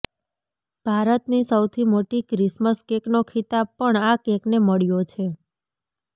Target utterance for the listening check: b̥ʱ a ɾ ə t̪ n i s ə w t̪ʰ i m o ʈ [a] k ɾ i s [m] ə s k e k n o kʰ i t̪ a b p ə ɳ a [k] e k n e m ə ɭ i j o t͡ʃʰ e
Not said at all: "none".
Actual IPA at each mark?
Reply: i, m, k

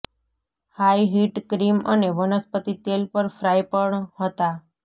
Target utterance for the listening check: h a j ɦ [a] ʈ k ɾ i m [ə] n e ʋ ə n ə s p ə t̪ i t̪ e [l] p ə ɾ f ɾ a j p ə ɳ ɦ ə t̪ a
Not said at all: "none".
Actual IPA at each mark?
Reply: i, ə, l

